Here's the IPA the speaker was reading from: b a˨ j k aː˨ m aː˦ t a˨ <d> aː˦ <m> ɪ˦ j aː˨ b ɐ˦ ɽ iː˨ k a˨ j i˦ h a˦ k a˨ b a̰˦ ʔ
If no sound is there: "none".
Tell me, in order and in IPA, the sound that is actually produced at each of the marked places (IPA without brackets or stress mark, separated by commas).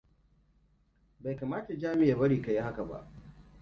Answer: d͡ʒ, m